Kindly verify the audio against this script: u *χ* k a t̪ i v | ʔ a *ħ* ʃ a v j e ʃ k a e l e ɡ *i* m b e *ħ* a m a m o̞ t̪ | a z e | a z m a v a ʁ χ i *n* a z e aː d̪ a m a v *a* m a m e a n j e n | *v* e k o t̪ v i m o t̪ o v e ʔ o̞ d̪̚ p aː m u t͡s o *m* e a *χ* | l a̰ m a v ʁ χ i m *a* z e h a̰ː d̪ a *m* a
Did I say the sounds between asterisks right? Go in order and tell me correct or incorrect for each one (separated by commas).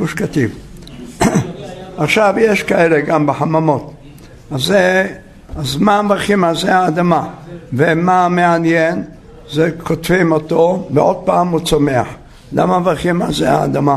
incorrect, incorrect, incorrect, correct, incorrect, incorrect, incorrect, correct, incorrect, correct, correct